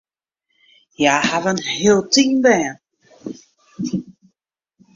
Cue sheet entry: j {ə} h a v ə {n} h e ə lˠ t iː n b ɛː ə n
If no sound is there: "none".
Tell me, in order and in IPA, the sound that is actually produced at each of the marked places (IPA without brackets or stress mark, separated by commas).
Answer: a, n